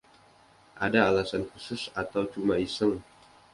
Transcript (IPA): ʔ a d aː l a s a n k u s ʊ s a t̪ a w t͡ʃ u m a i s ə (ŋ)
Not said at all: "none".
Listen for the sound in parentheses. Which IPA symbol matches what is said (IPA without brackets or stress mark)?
ŋ